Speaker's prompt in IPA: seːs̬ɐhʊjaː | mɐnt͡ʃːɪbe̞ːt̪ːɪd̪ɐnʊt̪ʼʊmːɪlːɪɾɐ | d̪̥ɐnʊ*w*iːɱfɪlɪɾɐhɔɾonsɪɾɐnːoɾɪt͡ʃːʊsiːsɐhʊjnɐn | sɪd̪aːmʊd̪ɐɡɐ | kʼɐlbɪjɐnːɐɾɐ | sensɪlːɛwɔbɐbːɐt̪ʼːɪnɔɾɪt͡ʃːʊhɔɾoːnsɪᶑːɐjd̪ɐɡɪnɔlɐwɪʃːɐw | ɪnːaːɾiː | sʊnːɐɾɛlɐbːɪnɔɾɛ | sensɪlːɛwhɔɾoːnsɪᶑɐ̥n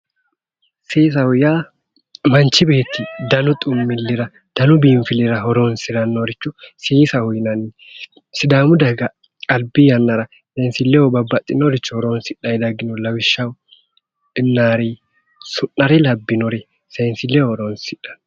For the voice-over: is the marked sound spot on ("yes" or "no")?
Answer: no